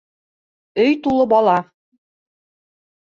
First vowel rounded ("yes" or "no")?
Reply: yes